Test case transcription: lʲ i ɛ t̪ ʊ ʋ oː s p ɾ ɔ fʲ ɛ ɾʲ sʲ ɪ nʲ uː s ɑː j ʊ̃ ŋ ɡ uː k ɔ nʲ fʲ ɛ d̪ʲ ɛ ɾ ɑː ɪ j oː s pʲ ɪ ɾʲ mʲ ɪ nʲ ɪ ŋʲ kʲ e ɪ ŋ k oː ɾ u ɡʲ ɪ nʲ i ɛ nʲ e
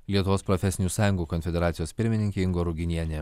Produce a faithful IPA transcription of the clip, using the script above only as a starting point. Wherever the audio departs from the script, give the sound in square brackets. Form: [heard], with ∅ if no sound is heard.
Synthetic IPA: lʲ i ɛ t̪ ʊ ʋ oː s p ɾ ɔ fʲ ɛ [∅] sʲ ɪ nʲ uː s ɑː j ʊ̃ ŋ ɡ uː k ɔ nʲ fʲ ɛ d̪ʲ ɛ ɾ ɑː ɪ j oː s pʲ ɪ ɾʲ mʲ ɪ nʲ ɪ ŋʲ kʲ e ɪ ŋ [ɡ] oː ɾ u ɡʲ ɪ nʲ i ɛ nʲ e